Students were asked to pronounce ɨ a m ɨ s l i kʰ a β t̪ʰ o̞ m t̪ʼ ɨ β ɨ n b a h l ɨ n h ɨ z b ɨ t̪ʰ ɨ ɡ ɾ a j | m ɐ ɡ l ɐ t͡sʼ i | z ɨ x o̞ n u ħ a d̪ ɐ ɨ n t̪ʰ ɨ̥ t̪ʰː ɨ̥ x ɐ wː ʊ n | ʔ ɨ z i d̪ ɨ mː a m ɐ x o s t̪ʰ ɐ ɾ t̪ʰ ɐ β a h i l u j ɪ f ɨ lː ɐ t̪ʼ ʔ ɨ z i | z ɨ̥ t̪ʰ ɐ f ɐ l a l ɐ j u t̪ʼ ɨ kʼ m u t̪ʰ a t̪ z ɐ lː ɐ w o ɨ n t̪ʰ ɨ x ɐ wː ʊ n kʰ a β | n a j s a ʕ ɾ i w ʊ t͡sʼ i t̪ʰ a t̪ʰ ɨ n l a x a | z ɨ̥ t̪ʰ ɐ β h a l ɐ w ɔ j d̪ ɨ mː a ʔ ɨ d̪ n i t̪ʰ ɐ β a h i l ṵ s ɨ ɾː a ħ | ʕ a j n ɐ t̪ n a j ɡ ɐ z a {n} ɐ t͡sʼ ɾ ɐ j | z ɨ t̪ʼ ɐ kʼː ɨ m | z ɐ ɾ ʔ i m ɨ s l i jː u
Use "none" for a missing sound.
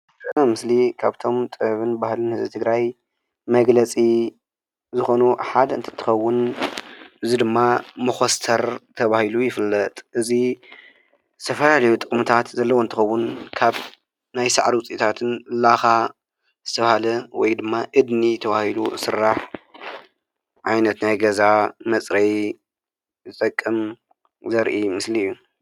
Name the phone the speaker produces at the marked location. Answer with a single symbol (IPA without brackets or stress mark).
m